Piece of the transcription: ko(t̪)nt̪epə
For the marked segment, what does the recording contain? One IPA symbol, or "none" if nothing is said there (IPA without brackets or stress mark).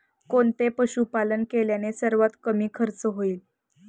none